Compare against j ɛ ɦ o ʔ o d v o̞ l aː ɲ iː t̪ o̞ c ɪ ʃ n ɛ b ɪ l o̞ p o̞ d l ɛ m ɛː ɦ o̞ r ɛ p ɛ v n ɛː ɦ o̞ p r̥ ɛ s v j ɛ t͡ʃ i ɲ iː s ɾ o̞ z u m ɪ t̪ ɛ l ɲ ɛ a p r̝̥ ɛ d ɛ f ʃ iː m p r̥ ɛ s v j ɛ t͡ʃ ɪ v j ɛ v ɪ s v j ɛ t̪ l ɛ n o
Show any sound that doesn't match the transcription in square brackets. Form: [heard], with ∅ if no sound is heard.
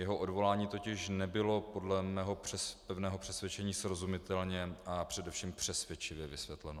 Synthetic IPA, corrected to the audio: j ɛ ɦ o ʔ o d v o̞ l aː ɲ iː t̪ o̞ c ɪ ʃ n ɛ b ɪ l o̞ p o̞ d l ɛ m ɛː ɦ o̞ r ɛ p ɛ v n ɛː ɦ o̞ p r̥ ɛ s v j ɛ t͡ʃ [ɛ] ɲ iː s ɾ o̞ z u m ɪ t̪ ɛ l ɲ ɛ a p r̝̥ ɛ d ɛ f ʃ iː m p r̥ ɛ s v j ɛ t͡ʃ ɪ v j ɛ v ɪ s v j ɛ t̪ l ɛ n o